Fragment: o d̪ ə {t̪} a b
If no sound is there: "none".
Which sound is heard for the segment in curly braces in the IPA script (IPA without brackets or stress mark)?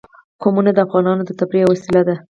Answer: t̪